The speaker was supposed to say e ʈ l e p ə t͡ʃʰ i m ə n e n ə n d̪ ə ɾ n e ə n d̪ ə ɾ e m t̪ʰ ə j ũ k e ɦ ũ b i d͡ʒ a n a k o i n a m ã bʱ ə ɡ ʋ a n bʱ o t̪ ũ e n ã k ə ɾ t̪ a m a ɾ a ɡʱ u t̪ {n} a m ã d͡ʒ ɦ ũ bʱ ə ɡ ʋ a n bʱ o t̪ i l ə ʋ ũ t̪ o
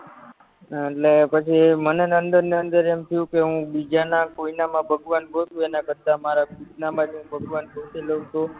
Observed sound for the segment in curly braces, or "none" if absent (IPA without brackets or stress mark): n